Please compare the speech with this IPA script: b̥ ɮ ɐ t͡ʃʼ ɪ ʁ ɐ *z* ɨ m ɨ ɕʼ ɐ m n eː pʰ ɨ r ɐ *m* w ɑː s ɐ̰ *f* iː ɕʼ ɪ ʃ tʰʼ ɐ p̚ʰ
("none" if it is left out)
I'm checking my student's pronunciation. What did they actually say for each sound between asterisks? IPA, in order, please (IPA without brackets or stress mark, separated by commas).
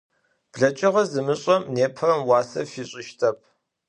z, m, f